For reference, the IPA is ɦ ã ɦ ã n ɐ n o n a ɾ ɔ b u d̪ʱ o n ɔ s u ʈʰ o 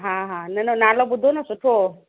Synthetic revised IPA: ɦ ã ɦ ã n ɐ n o n a l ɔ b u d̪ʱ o n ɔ s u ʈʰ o